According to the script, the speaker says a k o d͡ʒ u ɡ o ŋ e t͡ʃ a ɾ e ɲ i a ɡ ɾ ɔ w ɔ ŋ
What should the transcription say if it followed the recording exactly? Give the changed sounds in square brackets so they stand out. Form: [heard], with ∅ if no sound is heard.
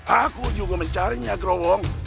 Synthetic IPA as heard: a k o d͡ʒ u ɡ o [m] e t͡ʃ a ɾ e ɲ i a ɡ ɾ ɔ w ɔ ŋ